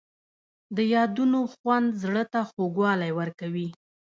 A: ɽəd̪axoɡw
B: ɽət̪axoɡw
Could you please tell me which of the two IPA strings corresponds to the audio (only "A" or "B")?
B